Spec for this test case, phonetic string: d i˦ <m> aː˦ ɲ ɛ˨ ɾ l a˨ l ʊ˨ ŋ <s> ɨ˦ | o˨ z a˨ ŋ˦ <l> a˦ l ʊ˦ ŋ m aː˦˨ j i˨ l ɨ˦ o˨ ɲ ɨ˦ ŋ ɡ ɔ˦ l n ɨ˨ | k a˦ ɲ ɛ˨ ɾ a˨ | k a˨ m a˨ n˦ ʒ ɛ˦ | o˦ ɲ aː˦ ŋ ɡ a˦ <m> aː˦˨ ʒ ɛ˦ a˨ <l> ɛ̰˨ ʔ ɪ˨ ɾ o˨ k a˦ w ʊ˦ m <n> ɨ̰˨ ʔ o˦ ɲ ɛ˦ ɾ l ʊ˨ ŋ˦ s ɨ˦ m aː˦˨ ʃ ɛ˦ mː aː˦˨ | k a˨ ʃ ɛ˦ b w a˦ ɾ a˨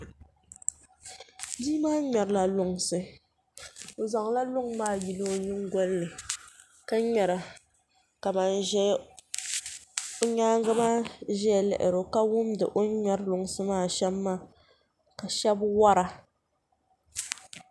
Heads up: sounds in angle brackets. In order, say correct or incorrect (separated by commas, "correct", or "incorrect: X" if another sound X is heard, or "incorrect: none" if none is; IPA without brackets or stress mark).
correct, correct, correct, correct, correct, incorrect: d